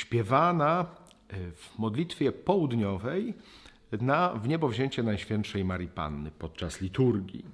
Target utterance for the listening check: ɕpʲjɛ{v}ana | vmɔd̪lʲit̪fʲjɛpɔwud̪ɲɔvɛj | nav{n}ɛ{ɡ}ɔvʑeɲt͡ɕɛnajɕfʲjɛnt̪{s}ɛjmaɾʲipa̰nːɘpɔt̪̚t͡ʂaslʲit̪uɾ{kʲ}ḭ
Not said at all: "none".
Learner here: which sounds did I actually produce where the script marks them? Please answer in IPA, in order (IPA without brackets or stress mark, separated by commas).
v, ɲ, b, ʂ, ɡʲ